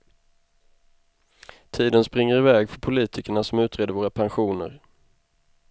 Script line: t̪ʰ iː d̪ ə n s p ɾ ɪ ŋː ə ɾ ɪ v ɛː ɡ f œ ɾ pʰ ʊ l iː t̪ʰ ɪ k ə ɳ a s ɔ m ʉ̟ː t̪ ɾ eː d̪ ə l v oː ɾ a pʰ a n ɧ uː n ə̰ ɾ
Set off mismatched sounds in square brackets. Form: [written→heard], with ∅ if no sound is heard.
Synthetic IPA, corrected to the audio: t̪ʰ iː d̪ ə n s p ɾ ɪ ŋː ə ɾ ɪ v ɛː ɡ f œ ɾ pʰ ʊ l iː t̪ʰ ɪ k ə ɳ a s ɔ m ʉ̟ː t̪ ɾ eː d̪ ə [l→ɾ] v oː ɾ a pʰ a n ɧ uː n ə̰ ɾ